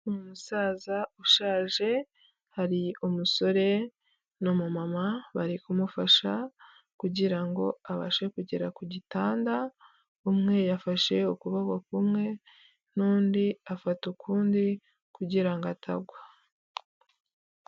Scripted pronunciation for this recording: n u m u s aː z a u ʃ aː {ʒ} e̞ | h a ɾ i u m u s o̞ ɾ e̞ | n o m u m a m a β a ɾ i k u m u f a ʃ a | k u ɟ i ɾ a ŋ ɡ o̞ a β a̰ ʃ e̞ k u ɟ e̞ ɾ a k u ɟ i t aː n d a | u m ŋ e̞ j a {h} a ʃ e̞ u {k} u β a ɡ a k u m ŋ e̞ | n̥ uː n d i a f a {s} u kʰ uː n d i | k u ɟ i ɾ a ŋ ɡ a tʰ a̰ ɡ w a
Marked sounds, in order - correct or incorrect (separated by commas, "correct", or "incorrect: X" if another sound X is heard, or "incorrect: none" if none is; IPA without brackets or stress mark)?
correct, incorrect: f, correct, incorrect: t